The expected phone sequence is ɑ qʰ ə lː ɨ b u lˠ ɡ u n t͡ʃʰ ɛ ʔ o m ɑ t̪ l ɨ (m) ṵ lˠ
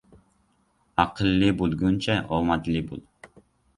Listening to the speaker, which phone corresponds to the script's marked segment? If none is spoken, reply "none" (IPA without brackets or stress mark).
b